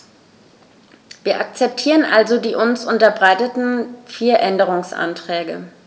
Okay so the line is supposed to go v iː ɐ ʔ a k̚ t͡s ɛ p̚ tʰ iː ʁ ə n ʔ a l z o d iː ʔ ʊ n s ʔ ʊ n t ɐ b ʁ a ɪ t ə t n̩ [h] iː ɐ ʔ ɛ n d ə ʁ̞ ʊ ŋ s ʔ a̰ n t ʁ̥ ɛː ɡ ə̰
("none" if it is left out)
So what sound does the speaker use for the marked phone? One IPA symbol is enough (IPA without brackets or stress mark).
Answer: f